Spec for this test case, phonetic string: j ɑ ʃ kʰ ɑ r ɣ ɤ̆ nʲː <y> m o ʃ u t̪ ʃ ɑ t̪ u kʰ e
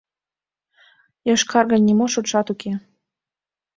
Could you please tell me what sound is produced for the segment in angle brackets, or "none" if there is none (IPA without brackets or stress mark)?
i